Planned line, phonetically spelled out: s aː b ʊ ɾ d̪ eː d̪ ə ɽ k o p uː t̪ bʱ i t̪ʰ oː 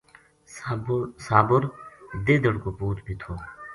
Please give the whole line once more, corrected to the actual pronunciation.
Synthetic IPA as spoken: s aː b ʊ ɾ d̪ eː d̪ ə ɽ k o p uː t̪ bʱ i t̪ʰ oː